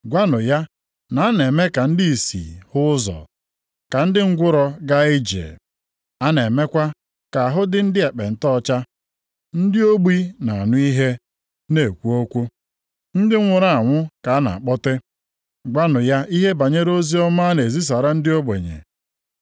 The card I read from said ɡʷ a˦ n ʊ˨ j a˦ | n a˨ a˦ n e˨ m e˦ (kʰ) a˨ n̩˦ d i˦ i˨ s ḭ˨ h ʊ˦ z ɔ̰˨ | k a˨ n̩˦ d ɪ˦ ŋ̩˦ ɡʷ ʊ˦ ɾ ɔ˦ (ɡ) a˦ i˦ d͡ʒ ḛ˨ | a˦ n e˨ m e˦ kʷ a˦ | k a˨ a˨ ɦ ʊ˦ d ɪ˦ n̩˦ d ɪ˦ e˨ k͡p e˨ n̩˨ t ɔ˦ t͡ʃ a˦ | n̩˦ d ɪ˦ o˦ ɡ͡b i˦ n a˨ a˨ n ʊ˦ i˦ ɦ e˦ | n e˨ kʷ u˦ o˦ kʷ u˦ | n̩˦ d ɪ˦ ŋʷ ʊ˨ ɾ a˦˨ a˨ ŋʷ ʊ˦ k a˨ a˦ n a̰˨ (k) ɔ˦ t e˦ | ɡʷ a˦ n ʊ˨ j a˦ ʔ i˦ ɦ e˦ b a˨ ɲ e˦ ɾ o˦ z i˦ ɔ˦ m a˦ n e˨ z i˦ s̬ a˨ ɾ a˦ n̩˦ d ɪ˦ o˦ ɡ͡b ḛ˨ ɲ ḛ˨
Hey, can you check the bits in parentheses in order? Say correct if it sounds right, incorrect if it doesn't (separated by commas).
incorrect, correct, incorrect